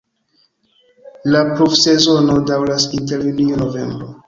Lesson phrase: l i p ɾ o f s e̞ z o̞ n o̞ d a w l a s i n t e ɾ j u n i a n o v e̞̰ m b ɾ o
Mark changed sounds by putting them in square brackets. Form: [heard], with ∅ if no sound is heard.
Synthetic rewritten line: l [a] p ɾ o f s e̞ z o̞ n o̞ d a w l a s i n t e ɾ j u n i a n o v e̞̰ m b ɾ o